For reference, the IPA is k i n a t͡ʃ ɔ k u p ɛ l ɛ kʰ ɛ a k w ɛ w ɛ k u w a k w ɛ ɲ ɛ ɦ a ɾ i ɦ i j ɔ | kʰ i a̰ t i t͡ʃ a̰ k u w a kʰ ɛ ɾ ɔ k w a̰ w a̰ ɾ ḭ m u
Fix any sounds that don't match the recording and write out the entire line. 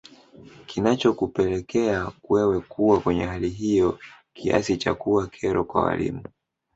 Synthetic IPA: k i n a t͡ʃ ɔ k u p ɛ l ɛ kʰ ɛ a k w ɛ w ɛ k u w a k w ɛ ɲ ɛ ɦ a l i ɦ i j ɔ | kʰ i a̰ s i t͡ʃ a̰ k u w a kʰ ɛ ɾ ɔ k w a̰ w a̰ l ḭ m u